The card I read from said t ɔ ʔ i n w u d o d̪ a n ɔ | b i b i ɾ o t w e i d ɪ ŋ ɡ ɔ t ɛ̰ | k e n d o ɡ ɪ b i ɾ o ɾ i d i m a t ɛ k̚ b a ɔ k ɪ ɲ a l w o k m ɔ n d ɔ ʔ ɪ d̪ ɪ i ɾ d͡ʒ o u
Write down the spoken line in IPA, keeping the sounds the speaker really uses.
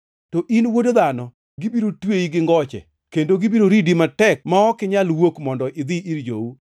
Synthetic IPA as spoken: t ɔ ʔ i n w o d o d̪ a n ɔ | ɡ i b i ɾ o t w e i ɡ ɪ ŋ ɡ ɔ t͡ʃ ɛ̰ | k e n d o ɡ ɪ b i ɾ o ɾ i d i m a t ɛ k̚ m a ɔ k ɪ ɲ a l w o k m ɔ n d ɔ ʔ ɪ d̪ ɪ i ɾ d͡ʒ o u